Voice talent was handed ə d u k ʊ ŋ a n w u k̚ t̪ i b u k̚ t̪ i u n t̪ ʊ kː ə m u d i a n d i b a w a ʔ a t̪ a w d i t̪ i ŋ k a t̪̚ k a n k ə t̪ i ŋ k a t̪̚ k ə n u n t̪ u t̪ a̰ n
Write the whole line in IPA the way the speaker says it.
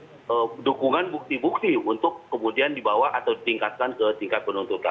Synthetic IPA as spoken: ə d u k u ŋ a n b u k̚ t̪ i b u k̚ t̪ i u n t̪ ʊ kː ə m u d i a n d i b a w a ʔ a t̪ a w d i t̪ i ŋ k a t̪̚ k a n k ə t̪ i ŋ k a t̪̚ p ə n u n t̪ u t̪ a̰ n